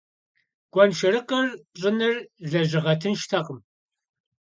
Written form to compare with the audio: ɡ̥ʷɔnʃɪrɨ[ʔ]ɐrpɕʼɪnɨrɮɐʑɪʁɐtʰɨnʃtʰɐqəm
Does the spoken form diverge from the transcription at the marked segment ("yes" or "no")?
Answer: yes